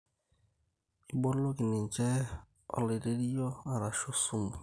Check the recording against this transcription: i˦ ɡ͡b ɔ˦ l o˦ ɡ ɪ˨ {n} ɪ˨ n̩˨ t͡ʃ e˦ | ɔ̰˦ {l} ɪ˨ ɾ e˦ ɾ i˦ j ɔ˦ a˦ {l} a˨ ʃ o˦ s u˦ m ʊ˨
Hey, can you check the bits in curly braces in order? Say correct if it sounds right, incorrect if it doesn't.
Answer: correct, correct, incorrect

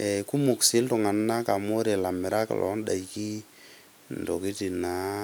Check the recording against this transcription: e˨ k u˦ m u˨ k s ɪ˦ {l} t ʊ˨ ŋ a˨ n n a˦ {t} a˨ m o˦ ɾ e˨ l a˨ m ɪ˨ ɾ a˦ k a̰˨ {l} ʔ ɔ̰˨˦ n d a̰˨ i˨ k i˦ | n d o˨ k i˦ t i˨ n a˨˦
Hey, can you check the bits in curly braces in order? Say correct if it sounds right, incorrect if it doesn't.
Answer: correct, incorrect, correct

